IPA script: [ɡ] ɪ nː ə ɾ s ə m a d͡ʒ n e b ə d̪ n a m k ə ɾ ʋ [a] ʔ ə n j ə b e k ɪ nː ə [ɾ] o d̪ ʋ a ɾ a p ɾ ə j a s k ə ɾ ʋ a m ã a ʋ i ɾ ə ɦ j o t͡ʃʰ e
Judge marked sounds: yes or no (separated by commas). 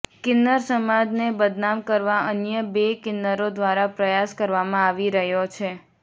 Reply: no, yes, yes